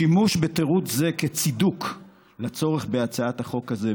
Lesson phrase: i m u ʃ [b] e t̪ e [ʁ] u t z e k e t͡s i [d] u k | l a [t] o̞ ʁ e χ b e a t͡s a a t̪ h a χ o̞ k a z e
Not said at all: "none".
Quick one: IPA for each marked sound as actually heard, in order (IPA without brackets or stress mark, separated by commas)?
b, ʁ, d, t͡s